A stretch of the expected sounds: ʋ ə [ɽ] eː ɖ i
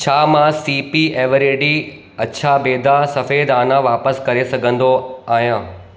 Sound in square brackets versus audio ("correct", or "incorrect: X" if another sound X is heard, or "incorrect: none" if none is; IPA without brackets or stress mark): incorrect: ɾ